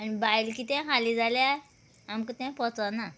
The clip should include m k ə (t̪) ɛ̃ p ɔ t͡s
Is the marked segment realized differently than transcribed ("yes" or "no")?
no